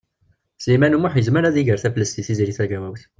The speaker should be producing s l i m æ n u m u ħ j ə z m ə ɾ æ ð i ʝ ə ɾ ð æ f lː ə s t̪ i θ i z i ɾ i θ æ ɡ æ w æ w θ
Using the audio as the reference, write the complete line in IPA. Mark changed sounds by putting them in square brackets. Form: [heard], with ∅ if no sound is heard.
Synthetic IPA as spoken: s l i m æ n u m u ħ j ə z m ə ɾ æ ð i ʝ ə ɾ [θ] æ f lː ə s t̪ i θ i z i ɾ i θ æ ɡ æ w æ w θ